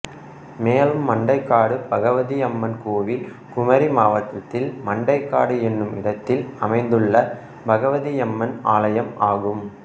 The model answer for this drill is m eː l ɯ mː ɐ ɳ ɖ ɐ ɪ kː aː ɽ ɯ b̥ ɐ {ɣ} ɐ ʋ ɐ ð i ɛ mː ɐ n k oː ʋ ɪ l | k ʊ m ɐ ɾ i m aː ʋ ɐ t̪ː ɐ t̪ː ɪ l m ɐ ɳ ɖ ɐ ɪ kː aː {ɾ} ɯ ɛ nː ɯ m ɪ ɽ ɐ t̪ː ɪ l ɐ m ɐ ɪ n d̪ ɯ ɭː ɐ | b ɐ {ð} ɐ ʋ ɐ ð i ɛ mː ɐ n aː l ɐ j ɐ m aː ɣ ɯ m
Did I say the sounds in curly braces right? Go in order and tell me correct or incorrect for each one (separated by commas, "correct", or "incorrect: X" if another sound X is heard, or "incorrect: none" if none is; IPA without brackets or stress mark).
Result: correct, incorrect: ɽ, incorrect: ɣ